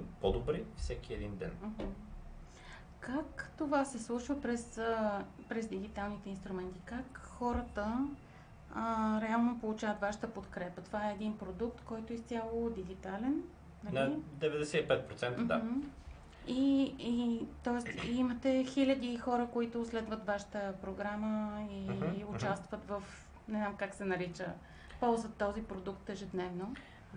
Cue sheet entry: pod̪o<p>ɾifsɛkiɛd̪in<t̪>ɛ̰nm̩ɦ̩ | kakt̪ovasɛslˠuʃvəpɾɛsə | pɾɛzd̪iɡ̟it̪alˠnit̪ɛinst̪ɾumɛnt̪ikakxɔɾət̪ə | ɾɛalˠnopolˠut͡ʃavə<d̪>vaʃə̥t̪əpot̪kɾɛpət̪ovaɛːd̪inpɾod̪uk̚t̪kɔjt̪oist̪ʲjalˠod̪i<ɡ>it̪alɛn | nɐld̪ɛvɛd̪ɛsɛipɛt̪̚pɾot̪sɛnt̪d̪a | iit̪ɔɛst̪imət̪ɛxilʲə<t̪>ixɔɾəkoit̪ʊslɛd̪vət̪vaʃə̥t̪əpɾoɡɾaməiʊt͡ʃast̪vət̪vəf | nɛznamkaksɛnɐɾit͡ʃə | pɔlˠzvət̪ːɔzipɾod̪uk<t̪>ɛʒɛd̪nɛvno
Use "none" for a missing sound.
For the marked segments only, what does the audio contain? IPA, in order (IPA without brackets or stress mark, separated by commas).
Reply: b, d̪, t̪, ɡ, d̪, t̪